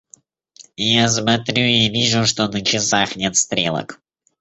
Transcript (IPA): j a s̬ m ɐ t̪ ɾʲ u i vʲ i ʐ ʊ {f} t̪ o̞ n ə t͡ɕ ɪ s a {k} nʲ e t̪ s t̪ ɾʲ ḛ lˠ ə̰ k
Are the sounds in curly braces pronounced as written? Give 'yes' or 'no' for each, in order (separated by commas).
no, no